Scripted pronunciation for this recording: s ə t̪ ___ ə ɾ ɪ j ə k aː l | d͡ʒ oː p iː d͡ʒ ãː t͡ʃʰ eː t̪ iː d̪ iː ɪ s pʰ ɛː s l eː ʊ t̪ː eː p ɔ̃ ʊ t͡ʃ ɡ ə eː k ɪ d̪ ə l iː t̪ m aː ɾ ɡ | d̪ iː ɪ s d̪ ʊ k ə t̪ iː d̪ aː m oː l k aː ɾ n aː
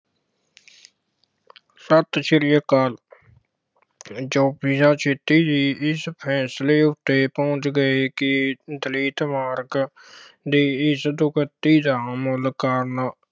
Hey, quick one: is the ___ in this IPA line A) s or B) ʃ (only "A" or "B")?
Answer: B